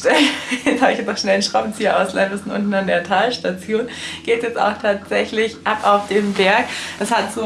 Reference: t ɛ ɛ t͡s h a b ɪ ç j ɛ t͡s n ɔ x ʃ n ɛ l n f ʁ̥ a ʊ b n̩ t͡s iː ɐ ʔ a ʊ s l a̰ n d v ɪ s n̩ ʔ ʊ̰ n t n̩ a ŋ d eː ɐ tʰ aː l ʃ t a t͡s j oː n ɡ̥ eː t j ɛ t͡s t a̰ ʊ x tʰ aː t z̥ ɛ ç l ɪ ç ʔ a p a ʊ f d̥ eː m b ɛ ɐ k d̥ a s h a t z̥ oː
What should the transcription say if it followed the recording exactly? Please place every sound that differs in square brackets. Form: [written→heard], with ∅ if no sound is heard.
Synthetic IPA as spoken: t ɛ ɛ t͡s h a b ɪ ç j ɛ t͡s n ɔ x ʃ n ɛ l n [f→ʃ] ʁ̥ a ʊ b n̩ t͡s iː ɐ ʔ a ʊ s l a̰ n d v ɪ s n̩ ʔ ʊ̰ n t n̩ a [ŋ→n] d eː ɐ tʰ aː l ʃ t a t͡s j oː n ɡ̥ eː t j ɛ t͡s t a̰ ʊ x tʰ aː t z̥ ɛ ç l ɪ ç ʔ a p a ʊ f d̥ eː m b ɛ ɐ k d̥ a s h a t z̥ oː

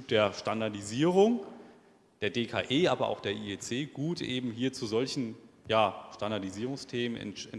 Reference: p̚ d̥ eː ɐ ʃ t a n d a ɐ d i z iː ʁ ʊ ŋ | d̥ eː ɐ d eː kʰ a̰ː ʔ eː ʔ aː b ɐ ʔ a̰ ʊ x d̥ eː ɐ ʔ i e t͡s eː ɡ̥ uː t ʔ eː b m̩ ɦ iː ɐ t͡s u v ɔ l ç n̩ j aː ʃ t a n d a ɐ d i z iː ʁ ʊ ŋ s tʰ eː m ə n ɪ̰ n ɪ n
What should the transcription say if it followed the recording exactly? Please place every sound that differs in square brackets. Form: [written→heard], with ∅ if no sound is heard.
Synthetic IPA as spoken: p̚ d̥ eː ɐ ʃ t a n d a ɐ d i z iː ʁ ʊ ŋ | d̥ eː ɐ d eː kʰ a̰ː ʔ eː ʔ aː b ɐ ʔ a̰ ʊ x d̥ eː ɐ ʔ i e t͡s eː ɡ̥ uː t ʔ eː b m̩ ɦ iː ɐ t͡s u [v→z] ɔ l ç n̩ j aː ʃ t a n d a ɐ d i z iː ʁ ʊ ŋ s tʰ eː m ə n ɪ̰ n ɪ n

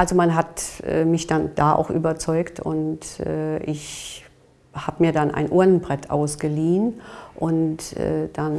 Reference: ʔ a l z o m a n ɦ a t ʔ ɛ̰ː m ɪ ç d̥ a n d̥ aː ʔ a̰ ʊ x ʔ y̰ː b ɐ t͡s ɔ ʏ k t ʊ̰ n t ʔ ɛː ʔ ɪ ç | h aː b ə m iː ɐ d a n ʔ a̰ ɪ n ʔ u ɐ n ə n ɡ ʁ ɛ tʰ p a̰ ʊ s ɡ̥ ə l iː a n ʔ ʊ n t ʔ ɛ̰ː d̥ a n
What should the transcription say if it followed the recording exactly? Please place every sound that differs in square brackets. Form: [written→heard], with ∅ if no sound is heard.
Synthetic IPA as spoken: ʔ a l z o m a n ɦ a t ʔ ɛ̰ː m ɪ ç d̥ a n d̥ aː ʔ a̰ ʊ x ʔ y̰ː b ɐ t͡s ɔ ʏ k t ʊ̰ n t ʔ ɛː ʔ ɪ ç | h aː b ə m iː ɐ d a n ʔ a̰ ɪ n ʔ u ɐ n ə n [ɡ→b] ʁ ɛ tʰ [p→ʔ] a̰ ʊ s ɡ̥ ə l iː [a→ə] n ʔ ʊ n t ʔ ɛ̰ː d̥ a n

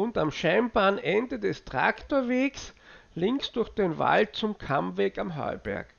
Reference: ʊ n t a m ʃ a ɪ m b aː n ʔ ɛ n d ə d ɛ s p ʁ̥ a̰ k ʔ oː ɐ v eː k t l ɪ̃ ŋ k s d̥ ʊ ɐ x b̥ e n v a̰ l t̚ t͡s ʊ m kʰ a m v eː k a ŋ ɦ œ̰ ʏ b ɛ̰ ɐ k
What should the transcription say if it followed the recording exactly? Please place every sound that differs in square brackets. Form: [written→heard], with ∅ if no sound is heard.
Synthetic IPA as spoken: ʊ n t a m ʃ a ɪ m b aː n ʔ ɛ n d ə d ɛ s [p→t] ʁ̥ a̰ k [ʔ→t] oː ɐ v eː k [t→s] l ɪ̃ ŋ k s d̥ ʊ ɐ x [b̥→d̥] e n v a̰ l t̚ t͡s ʊ m kʰ a m v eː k a [ŋ→m] ɦ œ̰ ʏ b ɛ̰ ɐ k

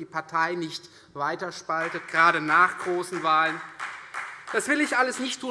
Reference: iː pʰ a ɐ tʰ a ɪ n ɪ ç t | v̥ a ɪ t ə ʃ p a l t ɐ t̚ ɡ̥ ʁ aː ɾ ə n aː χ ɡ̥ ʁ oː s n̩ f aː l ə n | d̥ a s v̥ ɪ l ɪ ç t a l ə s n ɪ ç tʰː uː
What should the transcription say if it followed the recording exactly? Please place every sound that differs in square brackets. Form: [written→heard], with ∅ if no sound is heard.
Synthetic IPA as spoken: iː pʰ a ɐ tʰ a ɪ n ɪ ç t | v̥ a ɪ t [ə→ɐ] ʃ p a l t [ɐ→ə] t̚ ɡ̥ ʁ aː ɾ ə n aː χ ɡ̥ ʁ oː s n̩ [f→v] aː l ə n | d̥ a s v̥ ɪ l ɪ ç [t→ʔ] a l ə s n ɪ ç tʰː uː

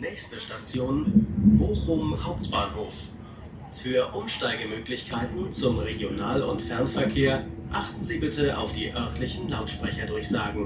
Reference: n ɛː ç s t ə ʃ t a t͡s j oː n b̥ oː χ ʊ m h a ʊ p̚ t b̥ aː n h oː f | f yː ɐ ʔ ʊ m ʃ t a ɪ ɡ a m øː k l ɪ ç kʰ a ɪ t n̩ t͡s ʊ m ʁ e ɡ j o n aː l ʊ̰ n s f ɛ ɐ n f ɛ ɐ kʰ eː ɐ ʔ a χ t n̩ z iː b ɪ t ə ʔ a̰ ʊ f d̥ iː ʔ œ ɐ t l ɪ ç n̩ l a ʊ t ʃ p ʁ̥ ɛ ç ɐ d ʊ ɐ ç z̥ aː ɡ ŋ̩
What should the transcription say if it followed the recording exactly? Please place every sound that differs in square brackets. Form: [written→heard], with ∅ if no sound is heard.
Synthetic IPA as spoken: n ɛː ç s t ə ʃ t a t͡s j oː n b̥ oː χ ʊ m h a ʊ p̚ t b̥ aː n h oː f | f yː ɐ ʔ ʊ m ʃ t a ɪ ɡ [a→ə] m øː k l ɪ ç kʰ a ɪ t n̩ t͡s ʊ m ʁ e ɡ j o n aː l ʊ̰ n [s→t] f ɛ ɐ n f ɛ ɐ kʰ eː ɐ ʔ a χ t n̩ z iː b ɪ t ə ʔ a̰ ʊ f d̥ iː ʔ œ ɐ t l ɪ ç n̩ l a ʊ t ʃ p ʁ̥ ɛ ç ɐ d ʊ ɐ ç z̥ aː ɡ ŋ̩

